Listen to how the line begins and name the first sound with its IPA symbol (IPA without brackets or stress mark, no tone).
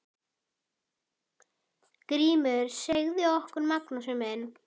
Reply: k